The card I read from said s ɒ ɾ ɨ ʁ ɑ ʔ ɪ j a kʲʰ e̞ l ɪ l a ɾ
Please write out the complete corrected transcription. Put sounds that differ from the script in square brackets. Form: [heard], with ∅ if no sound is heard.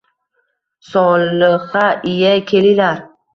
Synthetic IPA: s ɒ [l] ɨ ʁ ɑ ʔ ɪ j a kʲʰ e̞ l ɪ l a ɾ